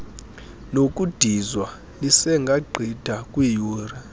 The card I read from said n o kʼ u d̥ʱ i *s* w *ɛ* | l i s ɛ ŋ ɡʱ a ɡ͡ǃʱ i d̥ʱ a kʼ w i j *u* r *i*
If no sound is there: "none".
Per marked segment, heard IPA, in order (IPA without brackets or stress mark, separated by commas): z, a, uː, a